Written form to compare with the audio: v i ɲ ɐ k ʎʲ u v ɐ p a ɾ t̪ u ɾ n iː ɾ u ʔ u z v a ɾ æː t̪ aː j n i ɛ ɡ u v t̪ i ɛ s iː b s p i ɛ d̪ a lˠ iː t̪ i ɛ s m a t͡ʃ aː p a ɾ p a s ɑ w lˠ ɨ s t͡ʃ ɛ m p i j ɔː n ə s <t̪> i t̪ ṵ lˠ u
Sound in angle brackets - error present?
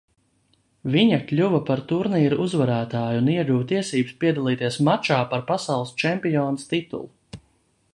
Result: no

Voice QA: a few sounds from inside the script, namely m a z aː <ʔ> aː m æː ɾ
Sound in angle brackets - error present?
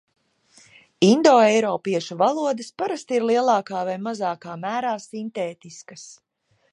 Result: yes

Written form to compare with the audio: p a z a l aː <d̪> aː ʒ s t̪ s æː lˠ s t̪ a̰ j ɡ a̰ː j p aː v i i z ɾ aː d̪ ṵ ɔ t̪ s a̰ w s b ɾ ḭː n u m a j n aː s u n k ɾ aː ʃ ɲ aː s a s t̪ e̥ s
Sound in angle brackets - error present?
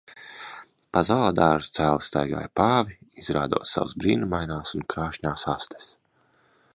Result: no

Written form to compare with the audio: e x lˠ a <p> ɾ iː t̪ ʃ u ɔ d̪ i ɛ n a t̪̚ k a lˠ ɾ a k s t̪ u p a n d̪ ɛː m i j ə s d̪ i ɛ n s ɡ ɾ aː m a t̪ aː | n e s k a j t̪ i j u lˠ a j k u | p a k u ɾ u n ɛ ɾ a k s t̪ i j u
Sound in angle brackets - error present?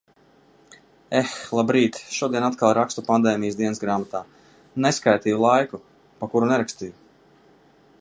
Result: yes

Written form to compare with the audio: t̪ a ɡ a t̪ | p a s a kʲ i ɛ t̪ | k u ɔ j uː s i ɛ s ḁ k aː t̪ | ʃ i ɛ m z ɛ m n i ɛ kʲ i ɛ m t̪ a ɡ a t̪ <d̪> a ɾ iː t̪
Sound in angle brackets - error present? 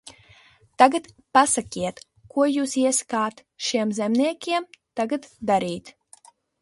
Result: no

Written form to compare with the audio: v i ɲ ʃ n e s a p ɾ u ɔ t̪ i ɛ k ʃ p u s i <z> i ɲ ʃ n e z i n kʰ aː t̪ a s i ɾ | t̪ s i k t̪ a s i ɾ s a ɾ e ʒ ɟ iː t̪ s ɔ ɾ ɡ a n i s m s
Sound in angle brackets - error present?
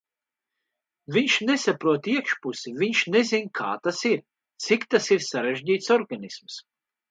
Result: yes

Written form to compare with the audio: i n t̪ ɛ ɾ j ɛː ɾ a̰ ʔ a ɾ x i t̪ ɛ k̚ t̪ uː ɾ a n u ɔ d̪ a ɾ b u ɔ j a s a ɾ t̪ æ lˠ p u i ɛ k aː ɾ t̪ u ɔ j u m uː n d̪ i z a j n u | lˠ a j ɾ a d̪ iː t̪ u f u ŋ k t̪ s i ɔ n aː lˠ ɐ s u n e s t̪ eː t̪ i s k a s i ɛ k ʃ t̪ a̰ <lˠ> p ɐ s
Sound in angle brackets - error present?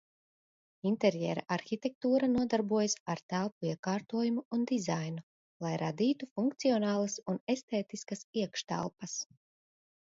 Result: no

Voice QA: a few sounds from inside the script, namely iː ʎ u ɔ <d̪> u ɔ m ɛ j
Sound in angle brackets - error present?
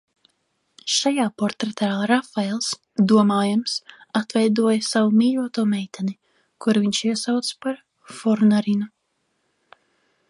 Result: yes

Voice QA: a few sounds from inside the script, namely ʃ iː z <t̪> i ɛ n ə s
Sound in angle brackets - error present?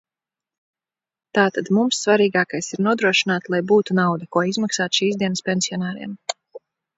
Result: yes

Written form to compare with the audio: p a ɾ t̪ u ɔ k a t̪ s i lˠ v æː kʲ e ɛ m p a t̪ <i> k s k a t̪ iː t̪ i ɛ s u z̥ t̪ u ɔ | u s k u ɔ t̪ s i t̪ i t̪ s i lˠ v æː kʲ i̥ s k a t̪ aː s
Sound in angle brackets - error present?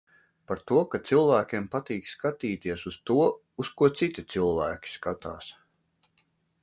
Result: yes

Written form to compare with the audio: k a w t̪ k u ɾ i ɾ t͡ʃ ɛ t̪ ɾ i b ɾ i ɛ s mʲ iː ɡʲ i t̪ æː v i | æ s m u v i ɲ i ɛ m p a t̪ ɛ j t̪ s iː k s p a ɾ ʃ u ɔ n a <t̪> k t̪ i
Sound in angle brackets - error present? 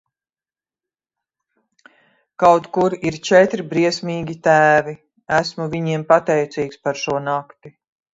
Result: yes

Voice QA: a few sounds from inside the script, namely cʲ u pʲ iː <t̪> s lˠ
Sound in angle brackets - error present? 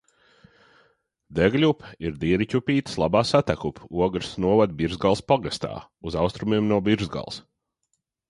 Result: no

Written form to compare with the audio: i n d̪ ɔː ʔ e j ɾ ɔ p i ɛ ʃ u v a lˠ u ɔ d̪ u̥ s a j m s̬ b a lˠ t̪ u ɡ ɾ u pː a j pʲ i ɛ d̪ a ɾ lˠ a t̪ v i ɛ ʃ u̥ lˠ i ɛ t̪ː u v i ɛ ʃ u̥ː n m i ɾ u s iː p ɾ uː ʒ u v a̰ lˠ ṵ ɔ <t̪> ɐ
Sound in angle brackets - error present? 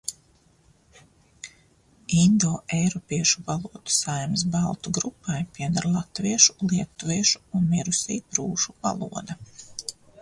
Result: yes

